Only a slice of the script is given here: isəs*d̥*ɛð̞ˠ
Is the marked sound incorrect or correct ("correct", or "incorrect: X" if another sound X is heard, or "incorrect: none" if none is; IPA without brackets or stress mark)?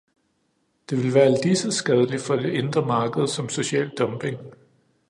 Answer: incorrect: ɡ̥